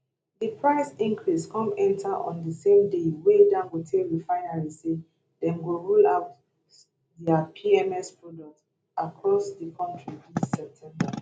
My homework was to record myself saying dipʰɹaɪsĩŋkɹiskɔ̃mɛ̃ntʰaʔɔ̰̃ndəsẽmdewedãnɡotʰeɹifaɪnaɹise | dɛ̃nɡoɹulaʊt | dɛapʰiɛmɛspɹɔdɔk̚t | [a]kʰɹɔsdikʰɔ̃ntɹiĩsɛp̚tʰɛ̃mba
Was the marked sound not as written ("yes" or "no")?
no